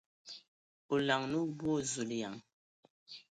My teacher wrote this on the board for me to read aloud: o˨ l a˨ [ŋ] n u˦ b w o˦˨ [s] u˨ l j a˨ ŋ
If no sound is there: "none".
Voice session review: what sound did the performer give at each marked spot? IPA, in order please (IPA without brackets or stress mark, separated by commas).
ŋ, z